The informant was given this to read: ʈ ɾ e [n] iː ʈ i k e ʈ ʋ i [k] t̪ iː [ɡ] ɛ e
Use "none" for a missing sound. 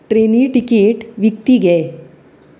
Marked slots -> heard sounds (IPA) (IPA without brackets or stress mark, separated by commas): n, k, ɡ